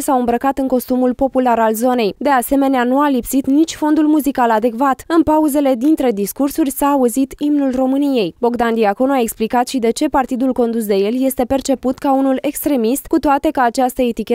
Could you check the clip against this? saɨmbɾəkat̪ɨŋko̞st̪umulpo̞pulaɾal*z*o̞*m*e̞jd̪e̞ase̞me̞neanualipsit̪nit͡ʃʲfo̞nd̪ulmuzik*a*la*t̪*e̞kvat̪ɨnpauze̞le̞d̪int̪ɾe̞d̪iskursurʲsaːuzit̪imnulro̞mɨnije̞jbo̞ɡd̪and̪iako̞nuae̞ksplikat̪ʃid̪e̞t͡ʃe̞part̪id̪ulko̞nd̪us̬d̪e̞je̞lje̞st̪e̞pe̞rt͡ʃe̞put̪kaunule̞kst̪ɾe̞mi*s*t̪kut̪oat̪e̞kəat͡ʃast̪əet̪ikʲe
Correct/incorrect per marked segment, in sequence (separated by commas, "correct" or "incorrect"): correct, incorrect, correct, incorrect, correct